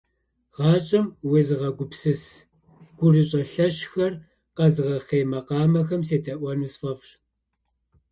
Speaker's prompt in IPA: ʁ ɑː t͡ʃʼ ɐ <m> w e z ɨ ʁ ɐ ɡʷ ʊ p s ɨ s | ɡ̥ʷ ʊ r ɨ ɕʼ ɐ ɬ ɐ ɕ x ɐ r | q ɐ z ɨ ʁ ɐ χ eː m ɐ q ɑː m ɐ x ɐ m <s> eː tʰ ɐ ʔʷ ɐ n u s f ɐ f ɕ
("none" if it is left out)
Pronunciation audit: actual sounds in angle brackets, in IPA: m, s

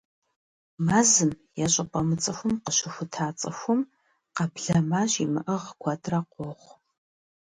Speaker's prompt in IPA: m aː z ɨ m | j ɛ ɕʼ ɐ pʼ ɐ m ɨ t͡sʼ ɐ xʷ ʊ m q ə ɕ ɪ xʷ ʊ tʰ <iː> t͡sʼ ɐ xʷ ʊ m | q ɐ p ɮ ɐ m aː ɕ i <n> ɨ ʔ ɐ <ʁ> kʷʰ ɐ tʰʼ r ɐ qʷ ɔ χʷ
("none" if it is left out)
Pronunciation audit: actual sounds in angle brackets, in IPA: aː, m, ʁ

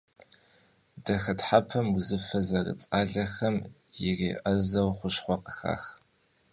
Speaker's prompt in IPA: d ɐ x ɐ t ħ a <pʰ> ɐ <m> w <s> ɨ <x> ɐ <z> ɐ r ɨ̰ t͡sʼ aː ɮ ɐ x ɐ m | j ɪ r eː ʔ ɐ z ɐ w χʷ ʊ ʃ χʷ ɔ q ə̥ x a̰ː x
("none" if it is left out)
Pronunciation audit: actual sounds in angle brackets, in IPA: pʰ, m, z, f, z

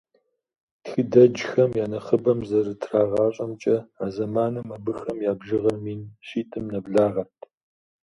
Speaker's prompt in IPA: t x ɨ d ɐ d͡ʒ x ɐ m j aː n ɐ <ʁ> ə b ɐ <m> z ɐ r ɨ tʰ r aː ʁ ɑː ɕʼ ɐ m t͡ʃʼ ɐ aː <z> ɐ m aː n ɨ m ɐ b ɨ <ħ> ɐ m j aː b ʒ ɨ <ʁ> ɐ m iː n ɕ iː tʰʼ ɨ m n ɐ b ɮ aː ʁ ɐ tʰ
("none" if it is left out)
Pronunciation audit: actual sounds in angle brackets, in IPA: χ, m, z, x, ʁ

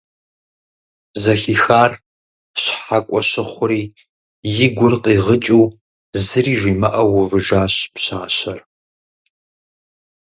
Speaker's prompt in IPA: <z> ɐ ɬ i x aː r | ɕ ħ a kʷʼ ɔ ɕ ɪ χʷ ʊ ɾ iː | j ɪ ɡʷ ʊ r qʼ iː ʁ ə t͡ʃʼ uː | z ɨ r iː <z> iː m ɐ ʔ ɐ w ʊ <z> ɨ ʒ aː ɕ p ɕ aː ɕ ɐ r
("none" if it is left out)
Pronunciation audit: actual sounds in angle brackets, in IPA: z, ʒ, v

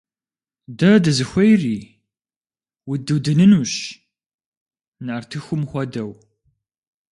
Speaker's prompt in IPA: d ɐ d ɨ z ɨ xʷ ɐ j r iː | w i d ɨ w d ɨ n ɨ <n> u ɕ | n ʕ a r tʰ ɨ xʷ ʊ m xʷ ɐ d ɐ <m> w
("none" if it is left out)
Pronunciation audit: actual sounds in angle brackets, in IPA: n, none

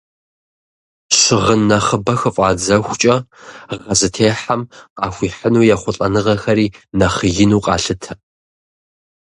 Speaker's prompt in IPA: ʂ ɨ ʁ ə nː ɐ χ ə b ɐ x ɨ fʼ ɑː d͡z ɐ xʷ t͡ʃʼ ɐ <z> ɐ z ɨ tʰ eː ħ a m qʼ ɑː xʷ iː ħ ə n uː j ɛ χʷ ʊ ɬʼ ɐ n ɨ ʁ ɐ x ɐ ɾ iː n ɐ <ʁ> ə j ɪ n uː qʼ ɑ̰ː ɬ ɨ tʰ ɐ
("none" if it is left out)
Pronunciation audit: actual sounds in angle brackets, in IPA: ʁ, χ

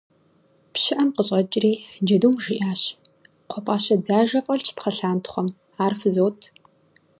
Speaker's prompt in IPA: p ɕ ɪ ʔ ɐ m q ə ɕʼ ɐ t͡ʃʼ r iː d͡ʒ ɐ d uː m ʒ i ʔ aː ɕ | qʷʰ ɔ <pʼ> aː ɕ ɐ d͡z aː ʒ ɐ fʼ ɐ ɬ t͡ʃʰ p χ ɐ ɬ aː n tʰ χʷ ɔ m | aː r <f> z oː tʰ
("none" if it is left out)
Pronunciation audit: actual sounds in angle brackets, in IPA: pʼ, f

